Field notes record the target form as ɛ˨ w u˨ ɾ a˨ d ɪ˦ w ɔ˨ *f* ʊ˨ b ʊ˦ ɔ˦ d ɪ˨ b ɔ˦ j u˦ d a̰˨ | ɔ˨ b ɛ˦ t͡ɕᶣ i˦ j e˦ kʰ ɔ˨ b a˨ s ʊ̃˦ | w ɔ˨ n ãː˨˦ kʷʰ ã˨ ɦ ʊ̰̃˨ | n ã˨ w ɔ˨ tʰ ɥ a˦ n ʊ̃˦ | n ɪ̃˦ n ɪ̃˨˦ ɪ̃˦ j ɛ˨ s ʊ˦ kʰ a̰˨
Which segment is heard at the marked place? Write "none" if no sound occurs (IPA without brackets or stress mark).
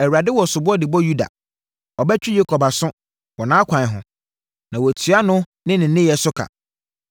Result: s